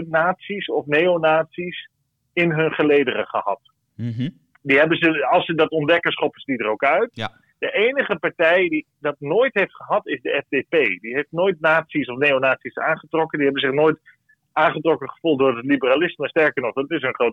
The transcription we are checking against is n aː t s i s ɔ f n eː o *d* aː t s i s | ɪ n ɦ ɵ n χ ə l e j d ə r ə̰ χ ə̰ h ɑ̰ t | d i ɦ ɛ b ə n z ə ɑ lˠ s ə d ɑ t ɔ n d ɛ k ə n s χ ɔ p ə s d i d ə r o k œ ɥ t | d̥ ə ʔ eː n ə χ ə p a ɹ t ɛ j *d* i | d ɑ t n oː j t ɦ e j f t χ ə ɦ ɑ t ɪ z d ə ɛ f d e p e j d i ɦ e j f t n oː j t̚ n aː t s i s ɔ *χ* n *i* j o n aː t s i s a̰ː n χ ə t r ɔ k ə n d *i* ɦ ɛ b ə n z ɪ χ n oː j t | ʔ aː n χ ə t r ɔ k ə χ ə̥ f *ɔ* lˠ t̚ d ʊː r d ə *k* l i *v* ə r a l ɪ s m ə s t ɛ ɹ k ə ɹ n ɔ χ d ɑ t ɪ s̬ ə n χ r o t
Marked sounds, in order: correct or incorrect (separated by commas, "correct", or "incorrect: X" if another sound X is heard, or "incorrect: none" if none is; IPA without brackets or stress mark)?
incorrect: n, correct, incorrect: f, incorrect: e, correct, incorrect: u, incorrect: t, incorrect: b